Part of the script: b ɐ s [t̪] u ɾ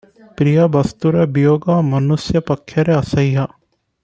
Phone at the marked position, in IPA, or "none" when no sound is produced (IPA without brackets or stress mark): t̪